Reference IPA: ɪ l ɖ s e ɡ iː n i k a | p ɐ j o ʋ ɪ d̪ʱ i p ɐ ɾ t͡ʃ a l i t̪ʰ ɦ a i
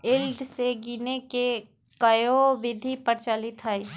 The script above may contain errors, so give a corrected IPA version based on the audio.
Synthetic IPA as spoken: ɪ l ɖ s e ɡ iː n e k e | k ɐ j o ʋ ɪ d̪ʱ i p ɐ ɾ t͡ʃ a l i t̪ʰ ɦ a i

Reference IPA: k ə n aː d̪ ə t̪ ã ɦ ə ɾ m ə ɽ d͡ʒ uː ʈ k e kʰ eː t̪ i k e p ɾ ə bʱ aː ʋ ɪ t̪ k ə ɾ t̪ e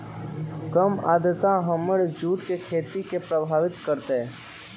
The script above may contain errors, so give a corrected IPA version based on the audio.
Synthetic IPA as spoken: k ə m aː d̪ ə t̪ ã ɦ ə m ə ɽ d͡ʒ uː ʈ k e kʰ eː t̪ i k e p ɾ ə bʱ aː ʋ ɪ t̪ k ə ɾ t̪ e

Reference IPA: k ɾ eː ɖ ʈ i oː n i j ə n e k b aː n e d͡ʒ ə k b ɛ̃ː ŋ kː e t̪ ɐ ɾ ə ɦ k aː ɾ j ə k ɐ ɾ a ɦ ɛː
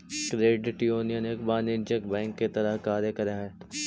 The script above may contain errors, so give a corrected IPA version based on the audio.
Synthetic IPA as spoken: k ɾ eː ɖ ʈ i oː n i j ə n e k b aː n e d͡ʒ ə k b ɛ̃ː ŋ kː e t̪ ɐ ɾ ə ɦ k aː ɾ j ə k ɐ ɾ a ɦ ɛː

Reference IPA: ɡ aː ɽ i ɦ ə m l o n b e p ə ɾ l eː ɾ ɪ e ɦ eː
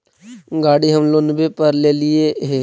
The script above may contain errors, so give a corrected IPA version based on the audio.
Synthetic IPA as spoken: ɡ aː ɽ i ɦ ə m l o n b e p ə ɾ l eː l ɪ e ɦ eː

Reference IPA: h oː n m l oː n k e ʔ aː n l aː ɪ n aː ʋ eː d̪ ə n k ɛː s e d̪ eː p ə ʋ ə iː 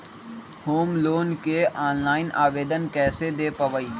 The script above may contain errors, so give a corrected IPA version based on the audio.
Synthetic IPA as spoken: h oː m l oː n k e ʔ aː n l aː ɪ n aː ʋ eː d̪ ə n k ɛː s e d̪ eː p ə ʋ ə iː

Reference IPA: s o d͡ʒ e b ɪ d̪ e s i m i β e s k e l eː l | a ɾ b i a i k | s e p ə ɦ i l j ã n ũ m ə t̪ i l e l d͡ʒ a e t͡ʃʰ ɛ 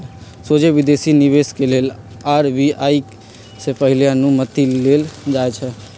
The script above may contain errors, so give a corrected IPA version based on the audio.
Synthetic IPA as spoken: s o d͡ʒ e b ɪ d̪ e s i n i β e s k e l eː l | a ɾ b i a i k | s e p ə ɦ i l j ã n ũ m ə t̪ i l e l d͡ʒ a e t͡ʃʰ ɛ

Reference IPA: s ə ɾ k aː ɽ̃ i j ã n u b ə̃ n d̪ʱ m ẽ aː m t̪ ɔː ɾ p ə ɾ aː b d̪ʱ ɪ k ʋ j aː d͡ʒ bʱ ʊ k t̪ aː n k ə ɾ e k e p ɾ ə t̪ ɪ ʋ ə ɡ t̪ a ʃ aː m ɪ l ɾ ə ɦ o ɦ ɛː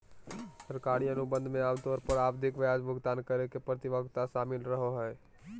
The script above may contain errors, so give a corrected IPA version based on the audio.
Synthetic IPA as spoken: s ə ɾ k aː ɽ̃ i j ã n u b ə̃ n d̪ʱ m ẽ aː m t̪ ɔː ɾ p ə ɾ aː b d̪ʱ ɪ k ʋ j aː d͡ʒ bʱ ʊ ɡ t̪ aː n k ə ɾ e k e p ɾ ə t̪ ɪ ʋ ə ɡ t̪ a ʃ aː m ɪ l ɾ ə ɦ o ɦ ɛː

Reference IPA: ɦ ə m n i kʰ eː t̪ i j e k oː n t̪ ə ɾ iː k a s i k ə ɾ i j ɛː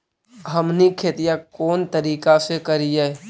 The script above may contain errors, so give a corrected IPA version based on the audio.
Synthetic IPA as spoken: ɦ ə m n i kʰ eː t̪ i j a k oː n t̪ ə ɾ iː k a s e k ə ɾ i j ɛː

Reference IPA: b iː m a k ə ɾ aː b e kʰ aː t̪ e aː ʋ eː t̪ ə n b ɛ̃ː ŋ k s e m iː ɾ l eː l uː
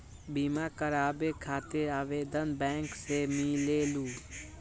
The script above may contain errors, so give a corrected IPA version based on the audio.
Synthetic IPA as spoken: b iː m a k ə ɾ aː b e kʰ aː t̪ e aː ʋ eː d̪ ə n b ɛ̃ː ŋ k s e m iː l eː l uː

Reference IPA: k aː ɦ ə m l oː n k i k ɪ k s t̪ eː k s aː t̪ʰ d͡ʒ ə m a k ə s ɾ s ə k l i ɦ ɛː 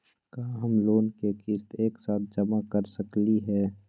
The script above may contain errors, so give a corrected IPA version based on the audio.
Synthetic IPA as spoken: k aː ɦ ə m l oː n k e k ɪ s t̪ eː k s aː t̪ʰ d͡ʒ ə m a k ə ɾ s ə k l i ɦ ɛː

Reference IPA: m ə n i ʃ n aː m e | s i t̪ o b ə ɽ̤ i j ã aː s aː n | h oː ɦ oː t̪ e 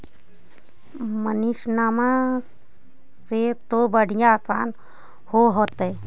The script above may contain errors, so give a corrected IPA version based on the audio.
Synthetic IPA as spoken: m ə n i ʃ n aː m a | s e t̪ o b ə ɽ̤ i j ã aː s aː n | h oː ɦ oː t̪ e

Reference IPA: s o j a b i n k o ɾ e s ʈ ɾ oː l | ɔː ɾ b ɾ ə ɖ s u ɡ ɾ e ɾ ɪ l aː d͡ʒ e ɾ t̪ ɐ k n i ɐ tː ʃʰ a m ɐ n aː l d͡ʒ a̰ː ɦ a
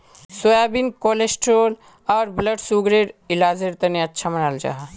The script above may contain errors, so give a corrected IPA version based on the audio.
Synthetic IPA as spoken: s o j a b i n k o l e s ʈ ɾ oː l | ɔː ɾ b l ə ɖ s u ɡ ɾ e ɾ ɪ l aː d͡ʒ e ɾ t̪ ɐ n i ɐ tː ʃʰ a m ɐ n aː l d͡ʒ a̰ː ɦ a

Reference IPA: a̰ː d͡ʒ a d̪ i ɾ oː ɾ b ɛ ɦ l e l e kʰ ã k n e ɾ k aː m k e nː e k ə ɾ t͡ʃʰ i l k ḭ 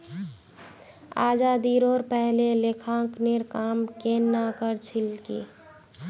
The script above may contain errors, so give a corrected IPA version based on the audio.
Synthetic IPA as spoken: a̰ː d͡ʒ a d̪ i ɾ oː ɾ p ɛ ɦ l e l e kʰ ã k n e ɾ k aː m k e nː a k ə ɾ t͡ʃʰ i l k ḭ

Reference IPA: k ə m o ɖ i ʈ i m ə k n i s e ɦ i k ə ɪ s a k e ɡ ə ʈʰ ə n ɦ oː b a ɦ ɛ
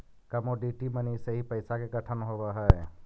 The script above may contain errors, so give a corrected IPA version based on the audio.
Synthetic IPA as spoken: k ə m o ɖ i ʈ i m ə n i s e ɦ i p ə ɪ s a k e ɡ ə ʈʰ ə n ɦ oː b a ɦ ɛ

